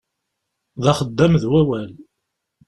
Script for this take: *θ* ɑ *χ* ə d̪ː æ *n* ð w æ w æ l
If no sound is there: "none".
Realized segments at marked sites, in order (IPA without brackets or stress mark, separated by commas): ð, χ, m